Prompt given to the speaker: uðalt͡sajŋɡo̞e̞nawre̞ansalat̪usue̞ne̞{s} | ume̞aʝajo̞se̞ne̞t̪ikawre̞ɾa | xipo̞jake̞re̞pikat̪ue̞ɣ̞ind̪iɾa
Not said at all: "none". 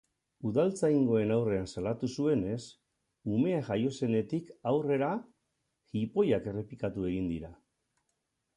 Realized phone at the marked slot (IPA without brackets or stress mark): s